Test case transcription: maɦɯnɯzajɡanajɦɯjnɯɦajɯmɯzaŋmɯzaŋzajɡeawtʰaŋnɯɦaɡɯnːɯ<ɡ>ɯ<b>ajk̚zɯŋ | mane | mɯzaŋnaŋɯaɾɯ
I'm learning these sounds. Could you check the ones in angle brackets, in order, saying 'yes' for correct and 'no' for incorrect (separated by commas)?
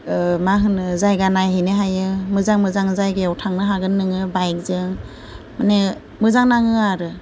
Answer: no, yes